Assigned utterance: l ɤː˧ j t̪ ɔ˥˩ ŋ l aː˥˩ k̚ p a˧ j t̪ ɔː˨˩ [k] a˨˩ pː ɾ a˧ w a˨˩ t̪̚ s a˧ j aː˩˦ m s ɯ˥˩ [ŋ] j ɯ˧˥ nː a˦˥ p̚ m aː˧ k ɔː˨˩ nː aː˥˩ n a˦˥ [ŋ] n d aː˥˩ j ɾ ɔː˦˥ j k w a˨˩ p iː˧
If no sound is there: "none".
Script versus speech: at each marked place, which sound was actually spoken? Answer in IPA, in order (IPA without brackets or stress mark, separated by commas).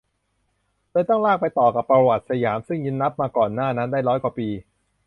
k, ŋ, none